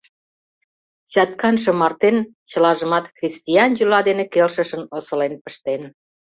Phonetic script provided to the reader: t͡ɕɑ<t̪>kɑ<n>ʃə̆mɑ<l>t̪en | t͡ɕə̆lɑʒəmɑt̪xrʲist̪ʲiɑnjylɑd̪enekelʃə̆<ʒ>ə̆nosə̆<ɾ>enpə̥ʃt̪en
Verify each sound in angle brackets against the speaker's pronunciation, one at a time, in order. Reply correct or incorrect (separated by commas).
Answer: correct, correct, incorrect, incorrect, incorrect